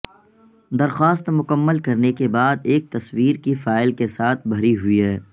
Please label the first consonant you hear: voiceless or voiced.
voiced